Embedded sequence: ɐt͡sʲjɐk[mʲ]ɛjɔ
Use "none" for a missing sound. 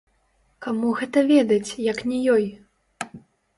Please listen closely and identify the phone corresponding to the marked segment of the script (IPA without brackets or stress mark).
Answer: nʲ